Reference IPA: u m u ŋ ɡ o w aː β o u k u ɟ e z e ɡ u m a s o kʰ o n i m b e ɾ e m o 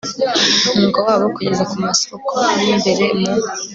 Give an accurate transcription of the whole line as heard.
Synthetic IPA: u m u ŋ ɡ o w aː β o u k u ɟ e z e k u m a s o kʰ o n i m b e ɾ e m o